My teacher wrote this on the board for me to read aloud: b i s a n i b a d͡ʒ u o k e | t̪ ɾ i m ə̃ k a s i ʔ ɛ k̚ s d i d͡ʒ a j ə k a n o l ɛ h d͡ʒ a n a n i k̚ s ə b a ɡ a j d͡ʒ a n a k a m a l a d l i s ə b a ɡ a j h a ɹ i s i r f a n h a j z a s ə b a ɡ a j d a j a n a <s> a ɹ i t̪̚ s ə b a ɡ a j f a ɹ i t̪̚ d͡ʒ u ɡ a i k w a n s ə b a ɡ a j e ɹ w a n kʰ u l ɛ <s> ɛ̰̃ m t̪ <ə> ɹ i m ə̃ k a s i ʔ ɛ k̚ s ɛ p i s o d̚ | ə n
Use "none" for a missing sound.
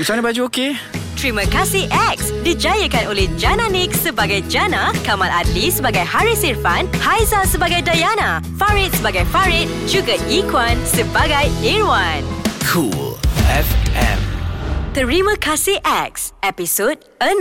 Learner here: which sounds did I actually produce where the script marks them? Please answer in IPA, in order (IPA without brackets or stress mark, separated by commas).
f, f, ə